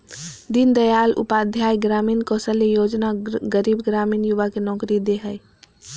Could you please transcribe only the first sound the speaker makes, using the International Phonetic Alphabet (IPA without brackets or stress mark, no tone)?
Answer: d̪